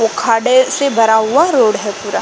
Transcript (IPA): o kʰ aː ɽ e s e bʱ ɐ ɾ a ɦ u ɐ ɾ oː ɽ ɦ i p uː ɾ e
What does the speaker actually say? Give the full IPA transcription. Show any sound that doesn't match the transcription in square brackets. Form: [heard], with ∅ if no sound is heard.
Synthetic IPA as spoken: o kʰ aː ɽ e s e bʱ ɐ ɾ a ɦ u [a] ɾ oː ɽ ɦ [ɛ] p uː ɾ [a]